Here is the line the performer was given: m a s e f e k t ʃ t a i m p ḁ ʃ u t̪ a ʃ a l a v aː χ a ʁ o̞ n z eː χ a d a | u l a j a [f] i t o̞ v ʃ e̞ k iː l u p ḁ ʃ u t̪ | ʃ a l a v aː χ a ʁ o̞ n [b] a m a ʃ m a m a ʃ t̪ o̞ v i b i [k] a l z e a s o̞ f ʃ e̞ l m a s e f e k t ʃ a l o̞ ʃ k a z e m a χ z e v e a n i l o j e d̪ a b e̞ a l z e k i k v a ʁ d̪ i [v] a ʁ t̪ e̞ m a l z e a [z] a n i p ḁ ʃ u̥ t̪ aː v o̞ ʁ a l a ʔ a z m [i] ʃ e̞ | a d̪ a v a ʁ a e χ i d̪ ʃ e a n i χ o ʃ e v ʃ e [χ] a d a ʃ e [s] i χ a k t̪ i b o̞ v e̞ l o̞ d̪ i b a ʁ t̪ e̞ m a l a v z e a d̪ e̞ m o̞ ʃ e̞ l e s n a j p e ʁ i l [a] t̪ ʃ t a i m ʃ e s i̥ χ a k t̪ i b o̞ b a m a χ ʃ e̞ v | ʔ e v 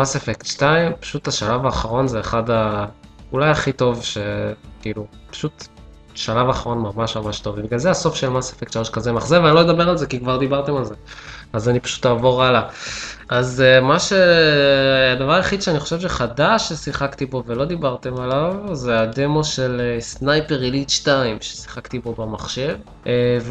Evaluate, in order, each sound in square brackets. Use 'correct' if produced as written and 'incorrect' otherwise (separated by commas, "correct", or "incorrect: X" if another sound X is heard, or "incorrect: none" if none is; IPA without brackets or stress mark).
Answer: incorrect: χ, incorrect: m, incorrect: ɡ, incorrect: b, correct, incorrect: a, correct, correct, incorrect: i